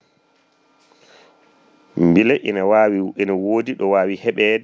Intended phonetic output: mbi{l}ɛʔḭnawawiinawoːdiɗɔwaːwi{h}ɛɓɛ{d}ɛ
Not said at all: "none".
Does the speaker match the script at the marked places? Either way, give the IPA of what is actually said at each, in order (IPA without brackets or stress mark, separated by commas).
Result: l, h, d